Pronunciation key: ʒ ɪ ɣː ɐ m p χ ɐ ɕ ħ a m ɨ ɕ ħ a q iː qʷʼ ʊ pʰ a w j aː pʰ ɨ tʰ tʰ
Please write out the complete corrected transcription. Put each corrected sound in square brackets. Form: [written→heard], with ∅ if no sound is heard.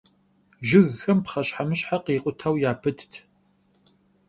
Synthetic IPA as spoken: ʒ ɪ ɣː ɐ m p χ ɐ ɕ ħ a m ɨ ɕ ħ a q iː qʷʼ ʊ [pʰ→tʰ] a w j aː pʰ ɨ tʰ tʰ